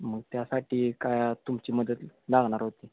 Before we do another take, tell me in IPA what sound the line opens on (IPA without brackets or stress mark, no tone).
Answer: m